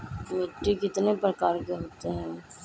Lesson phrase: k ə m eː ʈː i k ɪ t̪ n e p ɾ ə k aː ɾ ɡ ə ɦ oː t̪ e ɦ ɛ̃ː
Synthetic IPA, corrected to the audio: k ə m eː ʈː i k ɪ t̪ n e p ɾ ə k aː ɾ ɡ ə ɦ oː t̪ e ɦ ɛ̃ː

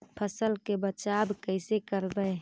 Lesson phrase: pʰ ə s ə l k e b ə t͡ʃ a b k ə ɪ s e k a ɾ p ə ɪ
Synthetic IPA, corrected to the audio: pʰ ə s ə l k e b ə t͡ʃ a b k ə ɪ s e k ə ɾ b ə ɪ

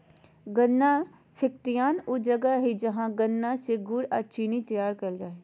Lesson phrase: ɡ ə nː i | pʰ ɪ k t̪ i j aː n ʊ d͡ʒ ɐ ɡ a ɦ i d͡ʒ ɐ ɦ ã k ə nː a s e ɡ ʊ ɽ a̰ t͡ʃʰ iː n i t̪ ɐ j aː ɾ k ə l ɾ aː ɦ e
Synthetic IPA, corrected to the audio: ɡ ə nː a | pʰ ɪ k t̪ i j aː n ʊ d͡ʒ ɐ ɡ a ɦ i d͡ʒ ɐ ɦ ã ɡ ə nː a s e ɡ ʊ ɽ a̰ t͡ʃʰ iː n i t̪ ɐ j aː ɾ k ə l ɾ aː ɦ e

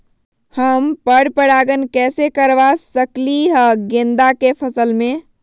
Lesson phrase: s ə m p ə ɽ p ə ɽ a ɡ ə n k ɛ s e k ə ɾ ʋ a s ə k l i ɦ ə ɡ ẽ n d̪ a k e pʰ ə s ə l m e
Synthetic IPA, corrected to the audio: h ə m p ə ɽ p ə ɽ a ɡ ə n k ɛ s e k ə ɾ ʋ a s ə k l i ɦ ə ɡ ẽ n d̪ a k e pʰ ə s ə l m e

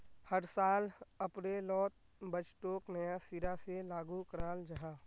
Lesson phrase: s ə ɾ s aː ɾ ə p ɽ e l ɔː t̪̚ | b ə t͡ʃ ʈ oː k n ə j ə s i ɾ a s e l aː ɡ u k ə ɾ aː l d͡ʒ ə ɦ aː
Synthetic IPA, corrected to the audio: h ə ɾ s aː l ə p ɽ e l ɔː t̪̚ | b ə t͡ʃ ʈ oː k n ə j a s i ɾ a s e l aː ɡ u k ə ɾ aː l d͡ʒ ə ɦ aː

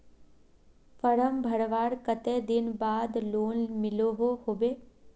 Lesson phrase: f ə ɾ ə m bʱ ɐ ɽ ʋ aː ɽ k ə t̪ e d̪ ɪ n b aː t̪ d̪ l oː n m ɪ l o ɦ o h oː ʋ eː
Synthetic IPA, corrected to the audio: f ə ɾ ə m bʱ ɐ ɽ ʋ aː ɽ k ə t̪ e d̪ ɪ n b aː d̪ l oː n m ɪ l o ɦ o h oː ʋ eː

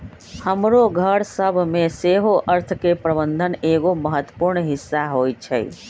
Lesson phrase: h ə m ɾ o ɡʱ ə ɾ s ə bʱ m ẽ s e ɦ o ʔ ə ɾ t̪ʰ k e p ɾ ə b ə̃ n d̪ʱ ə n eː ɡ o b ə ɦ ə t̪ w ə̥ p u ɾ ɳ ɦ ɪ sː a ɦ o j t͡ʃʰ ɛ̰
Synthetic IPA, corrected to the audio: h ə m ɾ o ɡʱ ə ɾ s ə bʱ m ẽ s e ɦ o ʔ ə ɾ t̪ʰ k e p ɾ ə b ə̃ n d̪ʱ ə n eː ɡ o m ə ɦ ə t̪ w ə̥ p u ɾ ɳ ɦ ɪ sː a ɦ o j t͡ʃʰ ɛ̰

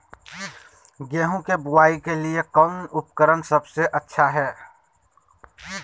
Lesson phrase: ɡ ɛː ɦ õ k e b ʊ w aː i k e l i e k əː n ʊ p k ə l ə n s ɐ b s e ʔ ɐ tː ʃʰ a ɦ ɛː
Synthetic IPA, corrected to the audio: ɡ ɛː ɦ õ k e b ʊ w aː i k e l i e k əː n ʊ p k ə ɾ ə n s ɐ b s e ʔ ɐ tː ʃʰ a ɦ ɛː

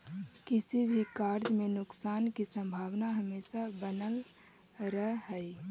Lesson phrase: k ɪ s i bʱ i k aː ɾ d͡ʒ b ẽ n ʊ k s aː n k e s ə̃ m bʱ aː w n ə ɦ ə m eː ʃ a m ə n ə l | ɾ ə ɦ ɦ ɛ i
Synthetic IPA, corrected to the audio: k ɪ s i bʱ i k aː ɾ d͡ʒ m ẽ n ʊ k s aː n k i s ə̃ m bʱ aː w n a ɦ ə m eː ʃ a b ə n ə l | ɾ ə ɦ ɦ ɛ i

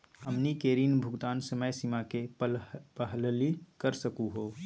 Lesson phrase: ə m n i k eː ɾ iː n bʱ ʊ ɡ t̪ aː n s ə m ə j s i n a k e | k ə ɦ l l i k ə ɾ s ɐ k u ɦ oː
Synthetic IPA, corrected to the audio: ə m n i k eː ɾ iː n bʱ ʊ ɡ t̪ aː n s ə m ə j s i m a k e | p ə ɦ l l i k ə ɾ s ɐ k u ɦ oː

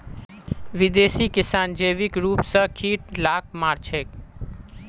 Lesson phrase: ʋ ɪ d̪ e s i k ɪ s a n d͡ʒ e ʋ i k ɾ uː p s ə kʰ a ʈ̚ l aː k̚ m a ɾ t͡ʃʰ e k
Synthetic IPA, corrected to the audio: ʋ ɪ d̪ e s i k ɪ s a n d͡ʒ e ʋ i k ɾ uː p s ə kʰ i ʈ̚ l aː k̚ m a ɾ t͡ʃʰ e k

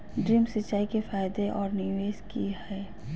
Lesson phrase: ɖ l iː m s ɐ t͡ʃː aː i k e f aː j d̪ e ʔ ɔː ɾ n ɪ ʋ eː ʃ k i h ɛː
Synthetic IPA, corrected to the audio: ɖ ɾ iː m s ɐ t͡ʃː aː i k e f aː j d̪ e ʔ ɔː ɾ n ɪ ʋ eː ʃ k i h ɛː

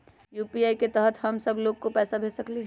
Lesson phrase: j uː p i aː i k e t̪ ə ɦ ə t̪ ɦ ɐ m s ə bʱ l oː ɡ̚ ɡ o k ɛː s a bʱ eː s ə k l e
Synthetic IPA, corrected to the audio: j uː p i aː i k e t̪ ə ɦ ə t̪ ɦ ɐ m s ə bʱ l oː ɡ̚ k o p ɛː s a bʱ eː s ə k l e

